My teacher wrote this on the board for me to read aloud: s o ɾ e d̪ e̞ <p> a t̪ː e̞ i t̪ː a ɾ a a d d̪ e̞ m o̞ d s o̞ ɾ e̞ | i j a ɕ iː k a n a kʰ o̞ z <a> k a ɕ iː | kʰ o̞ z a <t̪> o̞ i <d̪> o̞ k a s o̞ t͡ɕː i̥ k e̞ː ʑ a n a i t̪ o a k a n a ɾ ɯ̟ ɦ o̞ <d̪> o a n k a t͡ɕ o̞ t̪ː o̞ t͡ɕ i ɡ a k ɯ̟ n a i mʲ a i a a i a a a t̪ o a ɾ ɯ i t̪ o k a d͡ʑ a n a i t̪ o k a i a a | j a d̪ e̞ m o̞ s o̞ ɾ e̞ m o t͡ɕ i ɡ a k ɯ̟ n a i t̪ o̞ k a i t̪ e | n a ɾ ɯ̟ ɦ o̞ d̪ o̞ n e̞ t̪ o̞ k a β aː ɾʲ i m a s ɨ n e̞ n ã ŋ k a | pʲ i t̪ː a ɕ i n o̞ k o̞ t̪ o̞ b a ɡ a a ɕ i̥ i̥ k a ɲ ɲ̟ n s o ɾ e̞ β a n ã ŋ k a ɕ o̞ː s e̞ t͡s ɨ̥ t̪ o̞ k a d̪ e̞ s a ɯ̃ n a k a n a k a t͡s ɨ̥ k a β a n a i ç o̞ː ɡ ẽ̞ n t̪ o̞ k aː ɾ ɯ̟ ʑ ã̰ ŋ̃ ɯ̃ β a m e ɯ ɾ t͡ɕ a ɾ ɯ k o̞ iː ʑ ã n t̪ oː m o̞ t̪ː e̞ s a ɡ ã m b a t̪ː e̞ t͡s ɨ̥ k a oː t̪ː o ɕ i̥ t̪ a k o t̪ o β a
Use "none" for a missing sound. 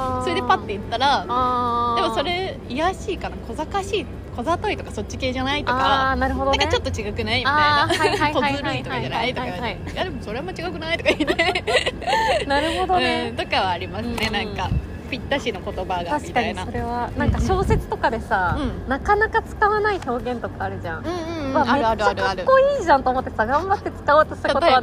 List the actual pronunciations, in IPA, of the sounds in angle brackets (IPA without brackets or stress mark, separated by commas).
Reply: p, a, t̪, t̪, d̪